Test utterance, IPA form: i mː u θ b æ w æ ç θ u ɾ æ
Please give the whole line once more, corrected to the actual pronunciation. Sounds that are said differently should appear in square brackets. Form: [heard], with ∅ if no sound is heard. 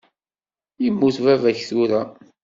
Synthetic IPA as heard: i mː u θ [v] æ [v] æ ç θ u ɾ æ